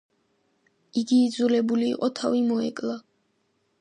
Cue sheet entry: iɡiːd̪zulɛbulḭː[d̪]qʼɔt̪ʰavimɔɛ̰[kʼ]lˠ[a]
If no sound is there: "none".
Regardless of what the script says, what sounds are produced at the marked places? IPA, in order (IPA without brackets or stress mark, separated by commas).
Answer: none, kʼ, a